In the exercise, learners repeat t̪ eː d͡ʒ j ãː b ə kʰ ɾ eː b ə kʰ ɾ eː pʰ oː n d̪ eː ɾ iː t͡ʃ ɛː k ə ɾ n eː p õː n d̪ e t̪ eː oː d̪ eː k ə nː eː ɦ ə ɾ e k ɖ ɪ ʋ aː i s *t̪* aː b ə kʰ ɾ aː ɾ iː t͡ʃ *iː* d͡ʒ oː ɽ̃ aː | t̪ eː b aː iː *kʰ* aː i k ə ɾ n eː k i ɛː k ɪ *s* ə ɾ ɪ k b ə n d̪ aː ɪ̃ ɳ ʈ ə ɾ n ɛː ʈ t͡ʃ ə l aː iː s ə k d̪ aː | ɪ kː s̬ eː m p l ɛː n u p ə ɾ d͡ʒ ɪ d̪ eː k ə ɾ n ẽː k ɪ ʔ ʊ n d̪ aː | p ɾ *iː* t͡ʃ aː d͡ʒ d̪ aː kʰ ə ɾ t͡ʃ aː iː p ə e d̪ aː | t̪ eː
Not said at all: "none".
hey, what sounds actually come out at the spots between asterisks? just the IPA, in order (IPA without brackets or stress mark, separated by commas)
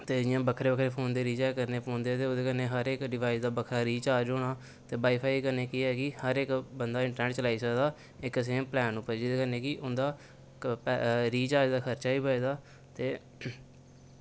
d̪, aː, pʰ, h, iː